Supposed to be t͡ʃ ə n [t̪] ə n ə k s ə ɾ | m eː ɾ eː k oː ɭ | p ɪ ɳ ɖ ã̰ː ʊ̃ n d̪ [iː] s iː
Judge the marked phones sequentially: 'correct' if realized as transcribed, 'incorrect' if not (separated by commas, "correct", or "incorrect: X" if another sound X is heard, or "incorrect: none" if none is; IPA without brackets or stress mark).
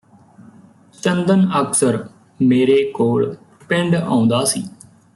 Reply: incorrect: d̪, incorrect: aː